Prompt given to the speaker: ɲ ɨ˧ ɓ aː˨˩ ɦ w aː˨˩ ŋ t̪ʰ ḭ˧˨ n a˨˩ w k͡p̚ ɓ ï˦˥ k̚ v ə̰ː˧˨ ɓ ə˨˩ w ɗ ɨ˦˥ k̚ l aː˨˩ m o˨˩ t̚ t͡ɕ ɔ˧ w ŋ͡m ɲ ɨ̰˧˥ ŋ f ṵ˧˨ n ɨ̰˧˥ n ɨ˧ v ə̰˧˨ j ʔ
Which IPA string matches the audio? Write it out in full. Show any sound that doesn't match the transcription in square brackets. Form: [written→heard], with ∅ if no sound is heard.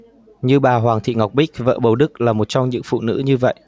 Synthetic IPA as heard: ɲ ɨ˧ ɓ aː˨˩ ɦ w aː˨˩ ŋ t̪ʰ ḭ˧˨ [n→ŋ] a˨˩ w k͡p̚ ɓ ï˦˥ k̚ v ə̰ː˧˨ ɓ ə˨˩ w ɗ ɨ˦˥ k̚ l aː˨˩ m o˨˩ t̚ t͡ɕ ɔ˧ w ŋ͡m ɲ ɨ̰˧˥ ŋ f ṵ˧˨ n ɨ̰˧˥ [n→ɲ] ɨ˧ v ə̰˧˨ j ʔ